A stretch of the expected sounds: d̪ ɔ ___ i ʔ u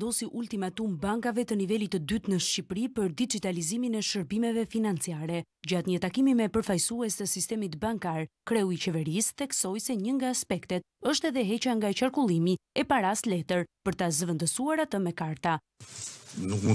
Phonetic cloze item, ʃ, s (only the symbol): s